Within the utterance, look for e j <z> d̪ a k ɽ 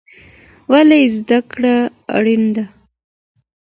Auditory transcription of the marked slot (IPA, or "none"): z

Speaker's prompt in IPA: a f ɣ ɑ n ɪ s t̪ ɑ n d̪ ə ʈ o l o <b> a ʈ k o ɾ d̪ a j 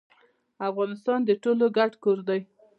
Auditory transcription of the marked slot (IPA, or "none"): ɡ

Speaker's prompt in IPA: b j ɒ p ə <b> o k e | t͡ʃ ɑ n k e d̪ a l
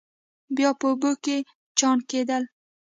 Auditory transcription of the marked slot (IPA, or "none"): b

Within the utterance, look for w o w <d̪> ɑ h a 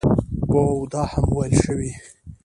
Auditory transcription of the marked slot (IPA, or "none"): d̪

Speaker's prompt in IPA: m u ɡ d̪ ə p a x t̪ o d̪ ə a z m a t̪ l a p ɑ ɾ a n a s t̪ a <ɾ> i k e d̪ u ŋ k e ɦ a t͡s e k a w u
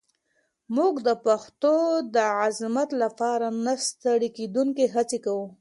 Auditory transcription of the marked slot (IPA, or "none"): ɽ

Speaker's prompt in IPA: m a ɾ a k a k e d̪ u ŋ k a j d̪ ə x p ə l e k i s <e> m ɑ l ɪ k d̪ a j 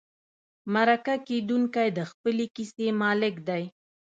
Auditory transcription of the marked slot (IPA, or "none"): e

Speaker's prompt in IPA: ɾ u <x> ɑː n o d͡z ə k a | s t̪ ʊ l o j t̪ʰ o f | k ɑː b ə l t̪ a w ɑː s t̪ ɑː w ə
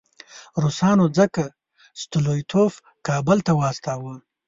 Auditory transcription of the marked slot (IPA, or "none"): s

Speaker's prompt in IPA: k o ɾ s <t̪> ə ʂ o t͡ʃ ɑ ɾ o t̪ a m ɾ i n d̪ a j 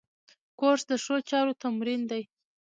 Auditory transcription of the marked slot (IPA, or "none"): d̪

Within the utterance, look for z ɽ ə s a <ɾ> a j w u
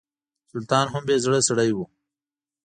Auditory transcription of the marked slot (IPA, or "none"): ɽ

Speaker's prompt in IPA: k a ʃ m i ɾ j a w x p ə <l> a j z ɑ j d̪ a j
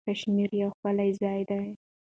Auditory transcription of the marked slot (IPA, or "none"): l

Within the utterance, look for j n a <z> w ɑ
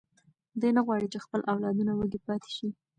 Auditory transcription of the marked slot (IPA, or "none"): ɣ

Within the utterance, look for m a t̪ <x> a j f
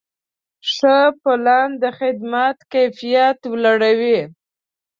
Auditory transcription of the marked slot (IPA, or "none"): k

